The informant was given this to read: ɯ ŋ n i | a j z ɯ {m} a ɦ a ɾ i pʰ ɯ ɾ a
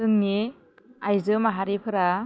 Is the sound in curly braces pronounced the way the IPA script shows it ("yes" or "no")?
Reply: yes